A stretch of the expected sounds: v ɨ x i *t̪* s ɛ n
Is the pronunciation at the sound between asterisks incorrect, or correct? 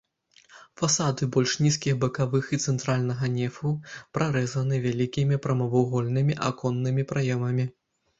correct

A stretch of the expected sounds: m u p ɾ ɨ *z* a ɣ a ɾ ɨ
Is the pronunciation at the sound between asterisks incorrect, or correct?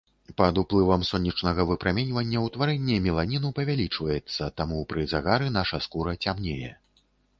correct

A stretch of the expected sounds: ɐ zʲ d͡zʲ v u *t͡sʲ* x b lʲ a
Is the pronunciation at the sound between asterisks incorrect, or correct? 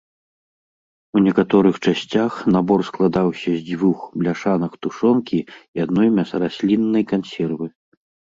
incorrect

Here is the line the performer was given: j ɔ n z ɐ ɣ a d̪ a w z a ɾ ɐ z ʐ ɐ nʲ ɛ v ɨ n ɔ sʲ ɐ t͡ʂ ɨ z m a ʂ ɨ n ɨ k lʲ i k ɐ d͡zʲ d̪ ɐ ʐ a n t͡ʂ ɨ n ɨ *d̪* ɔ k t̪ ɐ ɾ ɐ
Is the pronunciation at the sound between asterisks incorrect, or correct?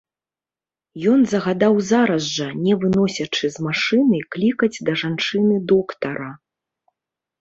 correct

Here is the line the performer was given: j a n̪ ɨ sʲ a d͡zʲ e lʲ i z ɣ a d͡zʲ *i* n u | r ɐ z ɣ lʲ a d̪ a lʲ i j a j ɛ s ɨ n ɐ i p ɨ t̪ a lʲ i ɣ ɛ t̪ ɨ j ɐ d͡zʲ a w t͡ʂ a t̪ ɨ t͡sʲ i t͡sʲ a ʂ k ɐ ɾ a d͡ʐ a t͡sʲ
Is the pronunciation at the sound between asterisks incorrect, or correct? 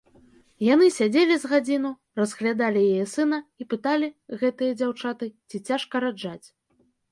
correct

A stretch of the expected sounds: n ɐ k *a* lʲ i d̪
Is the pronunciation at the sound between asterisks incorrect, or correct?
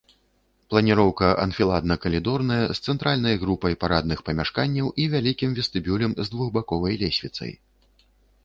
incorrect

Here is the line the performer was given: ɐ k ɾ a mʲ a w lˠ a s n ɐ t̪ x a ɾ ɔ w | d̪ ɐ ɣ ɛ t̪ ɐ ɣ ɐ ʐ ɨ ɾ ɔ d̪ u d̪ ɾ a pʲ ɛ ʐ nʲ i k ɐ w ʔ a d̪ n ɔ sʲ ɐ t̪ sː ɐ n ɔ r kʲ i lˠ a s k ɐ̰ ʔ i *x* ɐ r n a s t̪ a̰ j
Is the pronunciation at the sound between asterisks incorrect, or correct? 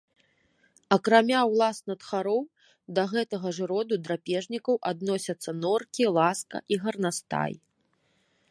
incorrect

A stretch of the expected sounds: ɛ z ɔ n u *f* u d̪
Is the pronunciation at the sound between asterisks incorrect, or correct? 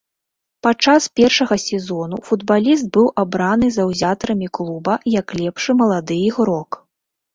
correct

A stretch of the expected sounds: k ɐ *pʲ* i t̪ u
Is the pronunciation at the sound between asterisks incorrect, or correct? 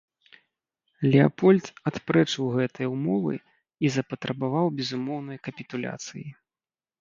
correct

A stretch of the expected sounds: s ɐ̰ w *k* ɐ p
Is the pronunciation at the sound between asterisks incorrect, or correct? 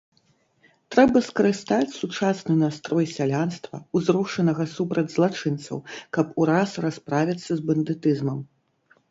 correct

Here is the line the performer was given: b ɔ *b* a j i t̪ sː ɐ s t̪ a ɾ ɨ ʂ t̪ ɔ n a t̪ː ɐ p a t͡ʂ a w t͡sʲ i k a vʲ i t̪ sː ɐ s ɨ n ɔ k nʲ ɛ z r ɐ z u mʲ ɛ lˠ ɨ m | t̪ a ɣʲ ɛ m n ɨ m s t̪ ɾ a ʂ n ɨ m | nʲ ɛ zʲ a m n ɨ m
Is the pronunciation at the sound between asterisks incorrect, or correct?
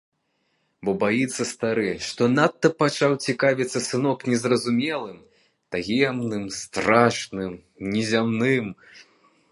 correct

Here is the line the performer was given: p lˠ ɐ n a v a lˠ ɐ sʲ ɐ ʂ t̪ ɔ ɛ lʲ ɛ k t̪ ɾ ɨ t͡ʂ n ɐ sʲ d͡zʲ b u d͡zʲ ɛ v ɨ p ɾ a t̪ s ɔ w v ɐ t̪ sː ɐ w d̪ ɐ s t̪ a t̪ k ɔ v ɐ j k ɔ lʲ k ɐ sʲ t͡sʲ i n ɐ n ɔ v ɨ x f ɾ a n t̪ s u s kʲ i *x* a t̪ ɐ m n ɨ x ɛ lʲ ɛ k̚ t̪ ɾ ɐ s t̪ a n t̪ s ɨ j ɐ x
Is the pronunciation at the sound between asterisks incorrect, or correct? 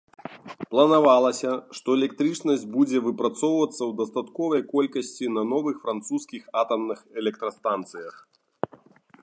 correct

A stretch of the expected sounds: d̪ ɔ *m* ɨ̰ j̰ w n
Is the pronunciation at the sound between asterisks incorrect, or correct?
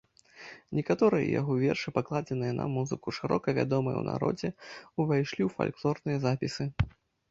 correct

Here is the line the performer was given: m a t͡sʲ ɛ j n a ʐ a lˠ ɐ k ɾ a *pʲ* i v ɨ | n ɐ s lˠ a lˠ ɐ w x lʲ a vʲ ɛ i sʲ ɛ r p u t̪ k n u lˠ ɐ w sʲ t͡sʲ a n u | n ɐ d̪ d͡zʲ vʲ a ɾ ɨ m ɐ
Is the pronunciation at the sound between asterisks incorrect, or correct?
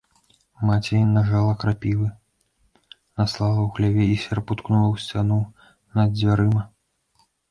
correct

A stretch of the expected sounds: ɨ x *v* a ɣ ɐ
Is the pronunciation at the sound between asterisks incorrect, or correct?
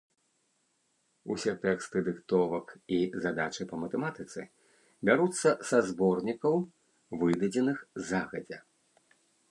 incorrect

